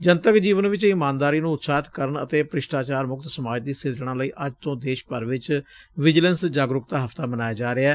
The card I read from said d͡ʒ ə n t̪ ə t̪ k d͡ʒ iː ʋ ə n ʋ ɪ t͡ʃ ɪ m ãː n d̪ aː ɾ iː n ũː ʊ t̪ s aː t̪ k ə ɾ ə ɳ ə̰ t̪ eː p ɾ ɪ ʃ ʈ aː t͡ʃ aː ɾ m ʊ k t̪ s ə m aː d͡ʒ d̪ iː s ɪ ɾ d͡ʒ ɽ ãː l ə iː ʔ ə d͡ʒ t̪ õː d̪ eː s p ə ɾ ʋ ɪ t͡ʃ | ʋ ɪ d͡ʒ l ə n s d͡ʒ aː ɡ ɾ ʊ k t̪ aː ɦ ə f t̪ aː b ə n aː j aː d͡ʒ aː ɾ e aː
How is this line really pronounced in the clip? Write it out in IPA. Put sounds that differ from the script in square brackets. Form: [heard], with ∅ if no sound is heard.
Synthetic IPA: d͡ʒ ə n t̪ ə [∅] k d͡ʒ iː ʋ ə n ʋ ɪ t͡ʃ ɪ m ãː n d̪ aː ɾ iː n ũː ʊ t̪ s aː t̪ k ə ɾ ə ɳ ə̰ t̪ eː p ɾ ɪ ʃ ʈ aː t͡ʃ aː ɾ m ʊ k t̪ s ə m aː d͡ʒ d̪ iː s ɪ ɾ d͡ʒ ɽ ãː l ə iː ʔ ə d͡ʒ t̪ õː d̪ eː [ʃ] p ə ɾ ʋ ɪ t͡ʃ | ʋ ɪ d͡ʒ l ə n s d͡ʒ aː ɡ ɾ ʊ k t̪ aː ɦ ə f t̪ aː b ə n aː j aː d͡ʒ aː ɾ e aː